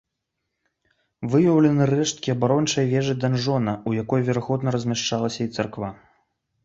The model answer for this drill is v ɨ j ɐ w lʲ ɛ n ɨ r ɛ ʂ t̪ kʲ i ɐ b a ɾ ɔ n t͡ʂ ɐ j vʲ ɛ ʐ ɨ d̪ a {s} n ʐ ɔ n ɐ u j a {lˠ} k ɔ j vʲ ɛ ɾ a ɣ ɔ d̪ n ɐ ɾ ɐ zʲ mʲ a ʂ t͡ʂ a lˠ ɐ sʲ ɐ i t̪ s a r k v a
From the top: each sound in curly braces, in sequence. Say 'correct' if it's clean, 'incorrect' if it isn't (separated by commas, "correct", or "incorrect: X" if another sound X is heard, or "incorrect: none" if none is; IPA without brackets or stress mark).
incorrect: none, incorrect: none